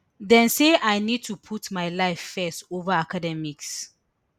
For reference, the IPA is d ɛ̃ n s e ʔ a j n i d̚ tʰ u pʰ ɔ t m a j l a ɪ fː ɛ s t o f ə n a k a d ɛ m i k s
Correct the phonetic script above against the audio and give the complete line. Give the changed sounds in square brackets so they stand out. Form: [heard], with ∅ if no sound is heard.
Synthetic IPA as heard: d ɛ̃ n s e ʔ a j n i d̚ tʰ u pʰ [u] t m a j l a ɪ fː ɛ s t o [v] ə [∅] a k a d ɛ m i k s